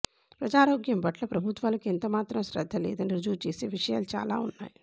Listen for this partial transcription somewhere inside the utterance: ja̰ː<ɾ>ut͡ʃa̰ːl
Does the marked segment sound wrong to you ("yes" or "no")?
yes